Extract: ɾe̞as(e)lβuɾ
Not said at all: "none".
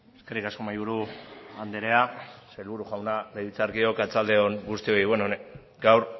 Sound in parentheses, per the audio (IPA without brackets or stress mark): e